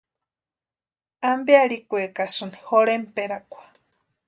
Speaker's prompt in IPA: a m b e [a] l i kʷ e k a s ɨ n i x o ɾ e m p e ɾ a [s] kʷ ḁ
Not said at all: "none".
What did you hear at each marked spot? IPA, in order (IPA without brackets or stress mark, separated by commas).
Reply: a, none